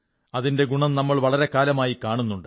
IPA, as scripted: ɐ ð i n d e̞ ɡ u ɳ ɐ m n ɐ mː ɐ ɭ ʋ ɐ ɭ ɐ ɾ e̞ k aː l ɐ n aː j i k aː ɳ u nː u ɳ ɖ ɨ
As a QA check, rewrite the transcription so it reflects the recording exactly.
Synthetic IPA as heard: ɐ ð i n d e̞ ɡ u ɳ ɐ m n ɐ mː ɐ ɭ ʋ ɐ ɭ ɐ ɾ e̞ k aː l ɐ m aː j i k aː ɳ u nː u ɳ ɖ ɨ